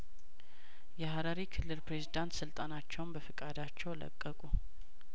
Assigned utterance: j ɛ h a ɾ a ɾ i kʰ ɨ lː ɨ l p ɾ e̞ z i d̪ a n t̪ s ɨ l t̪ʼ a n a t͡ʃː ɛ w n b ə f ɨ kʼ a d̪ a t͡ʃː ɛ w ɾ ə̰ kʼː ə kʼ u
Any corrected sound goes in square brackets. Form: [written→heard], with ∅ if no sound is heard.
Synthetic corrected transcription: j ɛ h a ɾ a ɾ i kʰ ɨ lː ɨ l p ɾ e̞ z i d̪ a n t̪ s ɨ l t̪ʼ a n a t͡ʃː ɛ w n b ə f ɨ kʼ a d̪ a t͡ʃː ɛ w [ɾ→l] ə̰ kʼː ə kʼ u